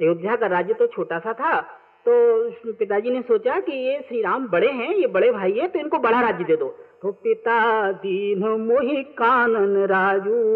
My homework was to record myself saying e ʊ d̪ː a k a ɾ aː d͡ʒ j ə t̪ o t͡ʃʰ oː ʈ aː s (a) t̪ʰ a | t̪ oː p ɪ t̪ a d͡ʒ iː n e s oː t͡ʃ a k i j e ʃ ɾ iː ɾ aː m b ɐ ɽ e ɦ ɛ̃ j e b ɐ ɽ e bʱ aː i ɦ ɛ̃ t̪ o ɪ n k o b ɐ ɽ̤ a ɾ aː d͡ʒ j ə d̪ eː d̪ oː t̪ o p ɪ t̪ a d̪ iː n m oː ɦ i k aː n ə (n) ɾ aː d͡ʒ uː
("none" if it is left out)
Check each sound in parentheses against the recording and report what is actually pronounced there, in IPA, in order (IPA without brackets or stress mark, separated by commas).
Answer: a, n